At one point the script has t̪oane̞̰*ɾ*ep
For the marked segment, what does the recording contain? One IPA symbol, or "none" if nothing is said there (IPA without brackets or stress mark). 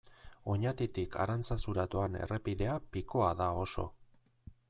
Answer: r